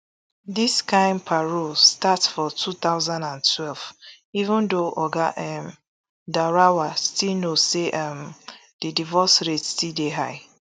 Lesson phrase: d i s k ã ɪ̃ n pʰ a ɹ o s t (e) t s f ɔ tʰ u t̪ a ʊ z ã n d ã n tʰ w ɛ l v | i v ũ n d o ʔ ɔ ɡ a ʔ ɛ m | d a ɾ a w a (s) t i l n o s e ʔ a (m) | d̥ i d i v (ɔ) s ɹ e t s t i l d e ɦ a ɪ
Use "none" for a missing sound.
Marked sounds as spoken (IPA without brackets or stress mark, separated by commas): a, s, m, ɔ